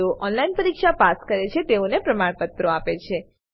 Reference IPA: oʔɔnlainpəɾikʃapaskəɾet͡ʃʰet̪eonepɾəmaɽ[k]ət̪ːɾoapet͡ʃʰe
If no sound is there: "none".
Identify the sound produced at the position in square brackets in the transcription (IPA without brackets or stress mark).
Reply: p